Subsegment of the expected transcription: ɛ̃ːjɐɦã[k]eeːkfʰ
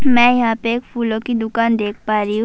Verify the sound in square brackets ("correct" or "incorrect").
incorrect